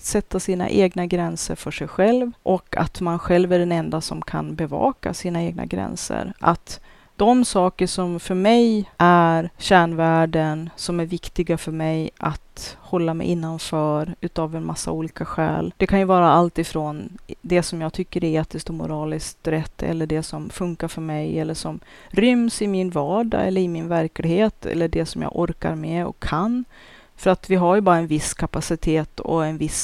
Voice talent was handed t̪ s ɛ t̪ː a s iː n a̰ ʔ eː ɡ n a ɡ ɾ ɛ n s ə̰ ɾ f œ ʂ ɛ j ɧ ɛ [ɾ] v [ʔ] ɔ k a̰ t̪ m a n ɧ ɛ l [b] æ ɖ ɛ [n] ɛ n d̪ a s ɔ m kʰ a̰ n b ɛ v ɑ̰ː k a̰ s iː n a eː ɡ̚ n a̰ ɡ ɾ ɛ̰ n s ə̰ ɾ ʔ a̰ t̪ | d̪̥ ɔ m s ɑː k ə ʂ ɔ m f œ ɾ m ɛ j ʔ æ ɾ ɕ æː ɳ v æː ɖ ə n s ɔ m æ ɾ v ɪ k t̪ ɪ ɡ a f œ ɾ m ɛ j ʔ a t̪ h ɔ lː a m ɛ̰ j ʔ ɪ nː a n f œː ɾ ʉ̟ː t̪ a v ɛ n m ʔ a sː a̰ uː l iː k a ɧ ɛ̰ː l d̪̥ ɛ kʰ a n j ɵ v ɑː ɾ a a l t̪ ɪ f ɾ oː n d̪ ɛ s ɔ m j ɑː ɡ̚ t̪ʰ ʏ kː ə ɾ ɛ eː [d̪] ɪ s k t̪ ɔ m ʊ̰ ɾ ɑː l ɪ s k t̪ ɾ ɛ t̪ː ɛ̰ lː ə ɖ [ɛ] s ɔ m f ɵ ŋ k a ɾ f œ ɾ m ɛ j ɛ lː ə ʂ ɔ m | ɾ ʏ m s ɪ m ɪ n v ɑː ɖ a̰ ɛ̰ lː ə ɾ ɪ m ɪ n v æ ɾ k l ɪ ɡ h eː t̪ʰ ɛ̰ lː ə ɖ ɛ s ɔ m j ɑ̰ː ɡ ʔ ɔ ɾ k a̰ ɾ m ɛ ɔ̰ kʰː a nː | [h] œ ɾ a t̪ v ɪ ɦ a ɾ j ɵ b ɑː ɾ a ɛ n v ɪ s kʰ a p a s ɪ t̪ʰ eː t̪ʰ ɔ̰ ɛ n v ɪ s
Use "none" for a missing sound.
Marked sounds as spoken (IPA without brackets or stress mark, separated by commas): l, ʔ, v, n, t̪, ɛ, f